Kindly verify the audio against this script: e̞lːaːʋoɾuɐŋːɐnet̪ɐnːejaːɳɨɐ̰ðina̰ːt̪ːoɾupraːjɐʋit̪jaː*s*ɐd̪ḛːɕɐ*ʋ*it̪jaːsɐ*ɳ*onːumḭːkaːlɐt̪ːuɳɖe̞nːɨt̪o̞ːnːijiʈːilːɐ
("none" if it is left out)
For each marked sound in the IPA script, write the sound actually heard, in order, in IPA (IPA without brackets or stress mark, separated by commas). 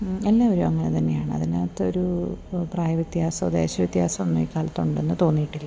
s, ʋ, m